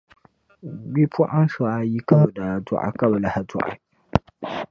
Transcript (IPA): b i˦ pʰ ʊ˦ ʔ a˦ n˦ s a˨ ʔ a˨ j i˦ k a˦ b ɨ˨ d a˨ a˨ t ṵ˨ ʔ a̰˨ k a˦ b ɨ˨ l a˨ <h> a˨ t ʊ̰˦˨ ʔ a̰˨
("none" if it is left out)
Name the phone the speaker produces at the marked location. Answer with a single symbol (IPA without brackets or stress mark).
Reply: h